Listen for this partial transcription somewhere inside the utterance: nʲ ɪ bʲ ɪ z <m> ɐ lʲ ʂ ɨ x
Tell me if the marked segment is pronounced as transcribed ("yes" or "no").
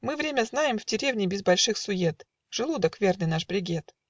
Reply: no